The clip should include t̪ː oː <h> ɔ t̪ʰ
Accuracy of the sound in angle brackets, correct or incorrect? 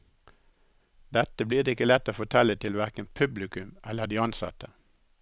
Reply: incorrect